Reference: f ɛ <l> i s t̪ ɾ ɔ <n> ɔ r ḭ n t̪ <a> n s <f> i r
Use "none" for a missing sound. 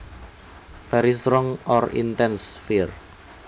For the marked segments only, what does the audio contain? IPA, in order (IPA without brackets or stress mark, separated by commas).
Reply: ɾ, ŋ, ɛ, f